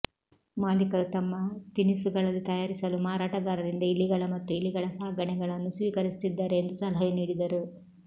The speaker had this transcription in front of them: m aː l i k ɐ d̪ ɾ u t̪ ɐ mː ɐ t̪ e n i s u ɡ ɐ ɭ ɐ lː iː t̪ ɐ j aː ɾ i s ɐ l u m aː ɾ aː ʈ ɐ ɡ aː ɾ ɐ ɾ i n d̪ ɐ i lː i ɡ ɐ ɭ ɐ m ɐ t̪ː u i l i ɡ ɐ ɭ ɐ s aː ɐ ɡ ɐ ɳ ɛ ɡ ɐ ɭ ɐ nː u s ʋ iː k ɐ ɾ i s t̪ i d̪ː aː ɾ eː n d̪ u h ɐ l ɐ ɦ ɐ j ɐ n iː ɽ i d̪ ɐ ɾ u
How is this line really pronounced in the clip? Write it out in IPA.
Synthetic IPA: m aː l i k ɐ ɾ u t̪ ɐ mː ɐ t̪ i n i s u ɡ ɐ ɭ ɐ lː i t̪ ɐ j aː ɾ i s ɐ l u m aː ɾ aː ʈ ɐ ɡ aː ɾ ɐ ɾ i n d̪ ɐ i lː i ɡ ɐ ɭ ɐ m ɐ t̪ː u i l i ɡ ɐ ɭ ɐ s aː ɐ ɡ ɐ ɳ ɛ ɡ ɐ ɭ ɐ nː u s ʋ iː k ɐ ɾ i s t̪ i d̪ː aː ɾ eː n d̪ u s ɐ l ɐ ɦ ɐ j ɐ n iː ɽ i d̪ ɐ ɾ u